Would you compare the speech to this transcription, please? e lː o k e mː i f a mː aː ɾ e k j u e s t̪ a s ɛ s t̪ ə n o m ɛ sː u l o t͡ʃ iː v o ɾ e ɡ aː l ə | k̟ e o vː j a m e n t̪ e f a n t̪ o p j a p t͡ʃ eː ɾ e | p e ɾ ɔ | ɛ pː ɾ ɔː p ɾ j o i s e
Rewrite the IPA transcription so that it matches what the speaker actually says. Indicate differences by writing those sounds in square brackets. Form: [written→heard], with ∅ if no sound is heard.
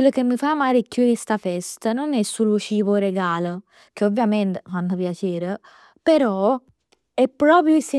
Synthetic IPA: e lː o k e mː i f a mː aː ɾ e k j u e s t̪ a [s→f] ɛ s t̪ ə n o [m→n] ɛ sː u l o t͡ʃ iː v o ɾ e ɡ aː l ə | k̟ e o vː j a m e n t̪ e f a n t̪ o p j a [p→∅] t͡ʃ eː ɾ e | p e ɾ ɔ | ɛ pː ɾ ɔː p ɾ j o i s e